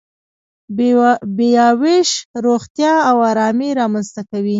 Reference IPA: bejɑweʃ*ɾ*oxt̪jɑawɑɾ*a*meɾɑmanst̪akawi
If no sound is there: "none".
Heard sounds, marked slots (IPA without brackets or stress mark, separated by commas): ɾ, ɑ